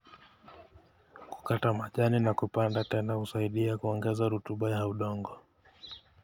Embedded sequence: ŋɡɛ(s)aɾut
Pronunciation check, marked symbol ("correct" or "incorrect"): incorrect